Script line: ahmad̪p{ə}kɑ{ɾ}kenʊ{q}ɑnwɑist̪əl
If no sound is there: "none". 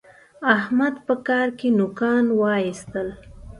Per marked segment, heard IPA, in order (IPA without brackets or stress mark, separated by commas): ə, ɾ, k